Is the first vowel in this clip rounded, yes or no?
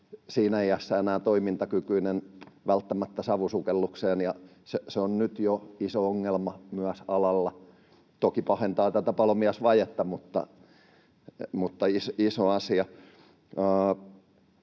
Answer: no